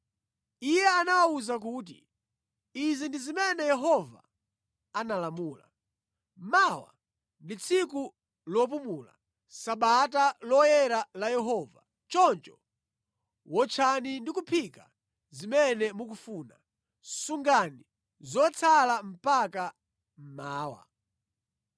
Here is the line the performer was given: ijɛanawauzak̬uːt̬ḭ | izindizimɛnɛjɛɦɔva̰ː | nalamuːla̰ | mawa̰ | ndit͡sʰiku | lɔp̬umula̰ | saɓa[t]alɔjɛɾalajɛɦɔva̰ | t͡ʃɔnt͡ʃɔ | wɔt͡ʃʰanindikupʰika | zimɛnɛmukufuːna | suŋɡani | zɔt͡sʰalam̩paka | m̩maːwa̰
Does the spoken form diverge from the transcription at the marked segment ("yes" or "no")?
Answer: no